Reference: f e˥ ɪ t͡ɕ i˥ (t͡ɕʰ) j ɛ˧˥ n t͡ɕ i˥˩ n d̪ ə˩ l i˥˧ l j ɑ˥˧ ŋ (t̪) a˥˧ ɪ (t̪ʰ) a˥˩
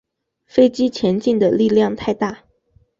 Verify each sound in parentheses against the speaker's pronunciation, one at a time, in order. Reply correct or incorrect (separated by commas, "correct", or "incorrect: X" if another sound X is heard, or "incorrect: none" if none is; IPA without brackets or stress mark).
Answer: correct, incorrect: t̪ʰ, incorrect: t̪